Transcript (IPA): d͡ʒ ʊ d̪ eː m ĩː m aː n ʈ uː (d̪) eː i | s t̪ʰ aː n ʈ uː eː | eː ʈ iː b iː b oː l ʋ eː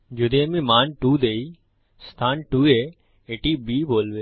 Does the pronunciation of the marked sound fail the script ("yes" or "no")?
no